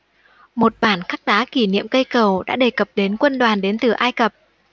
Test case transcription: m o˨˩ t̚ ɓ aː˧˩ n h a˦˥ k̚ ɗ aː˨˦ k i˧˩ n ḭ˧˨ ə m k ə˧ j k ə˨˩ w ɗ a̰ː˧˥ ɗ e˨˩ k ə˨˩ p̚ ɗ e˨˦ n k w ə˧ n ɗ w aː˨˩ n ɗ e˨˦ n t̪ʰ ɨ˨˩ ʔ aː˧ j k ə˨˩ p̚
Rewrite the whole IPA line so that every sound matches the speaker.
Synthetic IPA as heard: m o˨˩ t̚ ɓ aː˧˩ n x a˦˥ k̚ ɗ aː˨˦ k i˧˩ n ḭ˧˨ ə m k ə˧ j k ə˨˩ w ɗ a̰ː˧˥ ɗ e˨˩ k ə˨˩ p̚ ɗ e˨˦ n k w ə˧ n ɗ w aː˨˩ n ɗ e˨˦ n t̪ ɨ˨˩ ʔ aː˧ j k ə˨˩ p̚